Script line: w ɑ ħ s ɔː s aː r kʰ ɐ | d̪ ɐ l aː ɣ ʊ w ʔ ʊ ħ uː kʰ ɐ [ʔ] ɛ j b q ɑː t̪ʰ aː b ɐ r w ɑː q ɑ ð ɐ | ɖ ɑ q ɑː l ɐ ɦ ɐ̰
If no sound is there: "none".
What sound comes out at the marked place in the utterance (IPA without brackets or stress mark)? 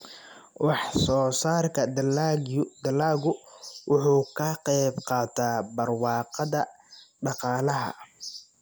q